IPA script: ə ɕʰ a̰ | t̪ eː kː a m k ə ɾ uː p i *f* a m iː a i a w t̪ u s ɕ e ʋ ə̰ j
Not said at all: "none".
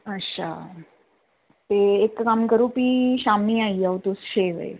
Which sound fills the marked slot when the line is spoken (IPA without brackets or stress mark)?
ɕ